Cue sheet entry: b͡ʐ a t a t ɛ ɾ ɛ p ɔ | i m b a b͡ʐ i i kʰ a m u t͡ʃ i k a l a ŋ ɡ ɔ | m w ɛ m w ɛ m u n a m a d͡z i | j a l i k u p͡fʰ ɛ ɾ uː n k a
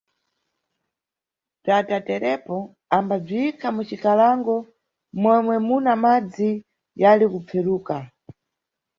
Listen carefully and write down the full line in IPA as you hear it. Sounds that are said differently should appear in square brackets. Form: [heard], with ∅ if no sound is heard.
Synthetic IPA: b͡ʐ a t a t ɛ ɾ ɛ p ɔ | [a] m b a b͡ʐ i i kʰ a m u t͡ʃ i k a l a ŋ ɡ ɔ | m w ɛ m w ɛ m u n a m a d͡z i | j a l i k u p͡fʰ ɛ ɾ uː [∅] k a